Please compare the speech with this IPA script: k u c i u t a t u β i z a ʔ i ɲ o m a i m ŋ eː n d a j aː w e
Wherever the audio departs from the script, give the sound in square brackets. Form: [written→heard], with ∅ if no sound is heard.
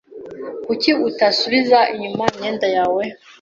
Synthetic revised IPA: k u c i u t a [t→s] u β i z a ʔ i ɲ [o→u] m a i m [ŋ→ɲ] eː n d a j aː w e